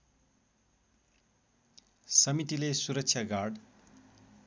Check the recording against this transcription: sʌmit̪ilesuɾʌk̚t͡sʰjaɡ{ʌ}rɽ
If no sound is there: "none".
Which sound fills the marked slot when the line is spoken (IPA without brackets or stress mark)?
a